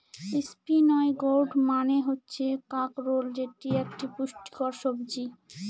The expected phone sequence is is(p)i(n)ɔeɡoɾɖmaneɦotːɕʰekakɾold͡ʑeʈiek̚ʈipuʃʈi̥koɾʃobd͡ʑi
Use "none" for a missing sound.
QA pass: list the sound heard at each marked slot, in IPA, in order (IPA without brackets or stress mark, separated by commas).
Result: p, n